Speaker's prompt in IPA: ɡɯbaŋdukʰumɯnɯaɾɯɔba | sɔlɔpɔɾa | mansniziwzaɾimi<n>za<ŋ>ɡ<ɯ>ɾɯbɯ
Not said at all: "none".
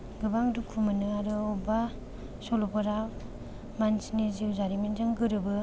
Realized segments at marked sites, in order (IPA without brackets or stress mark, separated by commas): n, ŋ, ɯ